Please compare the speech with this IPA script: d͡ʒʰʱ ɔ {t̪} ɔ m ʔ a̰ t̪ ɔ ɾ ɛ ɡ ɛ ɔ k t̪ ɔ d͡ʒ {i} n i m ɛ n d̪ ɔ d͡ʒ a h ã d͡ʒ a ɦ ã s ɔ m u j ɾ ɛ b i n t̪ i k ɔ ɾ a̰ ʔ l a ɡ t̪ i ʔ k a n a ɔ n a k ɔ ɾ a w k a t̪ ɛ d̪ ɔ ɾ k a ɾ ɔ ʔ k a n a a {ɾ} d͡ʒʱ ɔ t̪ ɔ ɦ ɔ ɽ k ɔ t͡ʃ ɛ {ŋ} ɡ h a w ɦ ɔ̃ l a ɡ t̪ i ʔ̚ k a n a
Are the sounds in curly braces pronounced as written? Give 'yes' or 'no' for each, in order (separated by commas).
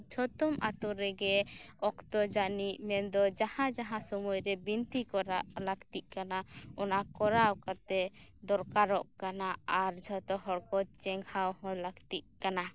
yes, no, yes, yes